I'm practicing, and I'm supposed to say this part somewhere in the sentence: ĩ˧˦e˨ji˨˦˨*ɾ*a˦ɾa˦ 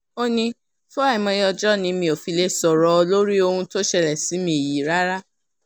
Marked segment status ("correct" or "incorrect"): correct